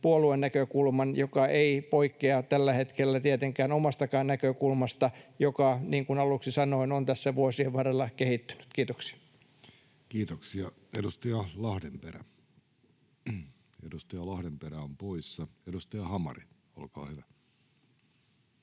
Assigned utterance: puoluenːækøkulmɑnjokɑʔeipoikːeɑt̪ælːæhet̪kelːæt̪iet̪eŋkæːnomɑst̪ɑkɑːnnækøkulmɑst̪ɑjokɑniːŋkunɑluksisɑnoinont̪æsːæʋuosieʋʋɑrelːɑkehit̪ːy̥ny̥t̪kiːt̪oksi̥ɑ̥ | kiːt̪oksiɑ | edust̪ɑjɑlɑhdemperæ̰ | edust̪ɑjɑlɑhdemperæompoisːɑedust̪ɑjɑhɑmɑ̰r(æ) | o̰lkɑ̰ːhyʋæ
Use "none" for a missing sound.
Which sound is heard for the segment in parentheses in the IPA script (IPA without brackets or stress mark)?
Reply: i